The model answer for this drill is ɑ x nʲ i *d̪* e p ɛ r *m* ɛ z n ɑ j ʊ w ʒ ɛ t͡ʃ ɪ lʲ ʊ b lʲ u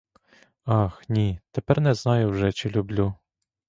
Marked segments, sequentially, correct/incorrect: incorrect, incorrect

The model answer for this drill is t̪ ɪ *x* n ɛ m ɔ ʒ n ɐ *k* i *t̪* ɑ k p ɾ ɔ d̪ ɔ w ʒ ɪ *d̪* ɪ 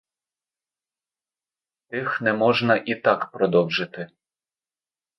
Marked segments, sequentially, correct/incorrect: correct, incorrect, correct, incorrect

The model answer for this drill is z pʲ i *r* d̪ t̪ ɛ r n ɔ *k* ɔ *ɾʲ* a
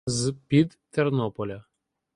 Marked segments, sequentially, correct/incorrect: incorrect, incorrect, incorrect

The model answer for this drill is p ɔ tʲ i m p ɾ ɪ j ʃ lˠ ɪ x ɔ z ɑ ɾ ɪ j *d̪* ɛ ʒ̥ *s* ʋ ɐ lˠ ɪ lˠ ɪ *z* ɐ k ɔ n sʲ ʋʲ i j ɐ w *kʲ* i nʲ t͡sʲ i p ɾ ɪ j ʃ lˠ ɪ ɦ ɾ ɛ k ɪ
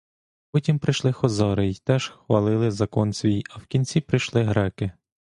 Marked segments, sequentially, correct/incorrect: incorrect, incorrect, correct, correct

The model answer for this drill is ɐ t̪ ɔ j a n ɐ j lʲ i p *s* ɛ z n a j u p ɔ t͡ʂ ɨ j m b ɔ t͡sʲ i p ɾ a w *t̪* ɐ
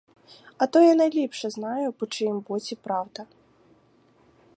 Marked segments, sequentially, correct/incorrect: incorrect, incorrect

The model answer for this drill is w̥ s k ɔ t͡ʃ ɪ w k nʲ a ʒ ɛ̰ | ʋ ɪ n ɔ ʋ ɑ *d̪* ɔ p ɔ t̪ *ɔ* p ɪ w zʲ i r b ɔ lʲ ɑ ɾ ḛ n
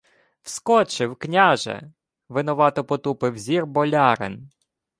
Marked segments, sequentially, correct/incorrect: incorrect, incorrect

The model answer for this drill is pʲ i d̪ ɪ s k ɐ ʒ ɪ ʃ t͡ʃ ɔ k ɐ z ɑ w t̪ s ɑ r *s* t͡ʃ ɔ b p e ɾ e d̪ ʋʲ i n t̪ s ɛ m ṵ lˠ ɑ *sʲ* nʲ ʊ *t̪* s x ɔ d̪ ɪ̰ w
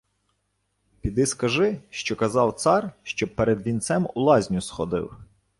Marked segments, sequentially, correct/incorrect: incorrect, incorrect, incorrect

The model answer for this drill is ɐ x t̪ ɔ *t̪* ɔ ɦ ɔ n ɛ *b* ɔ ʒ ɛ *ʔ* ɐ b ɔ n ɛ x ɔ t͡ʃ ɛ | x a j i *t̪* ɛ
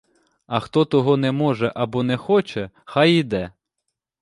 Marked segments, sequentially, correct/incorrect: correct, incorrect, correct, incorrect

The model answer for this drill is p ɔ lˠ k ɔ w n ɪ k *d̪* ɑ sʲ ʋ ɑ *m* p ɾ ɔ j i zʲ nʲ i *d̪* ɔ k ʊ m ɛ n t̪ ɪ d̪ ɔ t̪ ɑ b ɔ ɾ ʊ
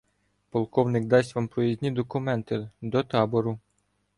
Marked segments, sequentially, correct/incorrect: correct, correct, correct

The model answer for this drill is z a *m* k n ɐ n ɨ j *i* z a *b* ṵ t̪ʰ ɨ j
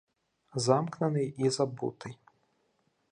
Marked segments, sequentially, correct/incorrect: correct, correct, correct

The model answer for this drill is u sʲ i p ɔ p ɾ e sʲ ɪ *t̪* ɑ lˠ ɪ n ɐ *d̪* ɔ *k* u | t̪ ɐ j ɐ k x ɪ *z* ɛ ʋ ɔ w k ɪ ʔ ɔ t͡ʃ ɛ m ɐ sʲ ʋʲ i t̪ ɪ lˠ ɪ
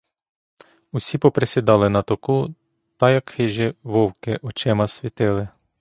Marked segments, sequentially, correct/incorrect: incorrect, incorrect, correct, incorrect

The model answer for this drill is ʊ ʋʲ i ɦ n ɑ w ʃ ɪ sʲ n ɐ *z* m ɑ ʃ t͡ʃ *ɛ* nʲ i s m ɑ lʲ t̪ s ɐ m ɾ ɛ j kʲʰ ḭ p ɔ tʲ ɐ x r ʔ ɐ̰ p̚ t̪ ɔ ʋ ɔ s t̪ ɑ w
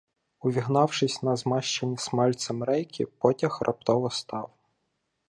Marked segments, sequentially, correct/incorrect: correct, incorrect

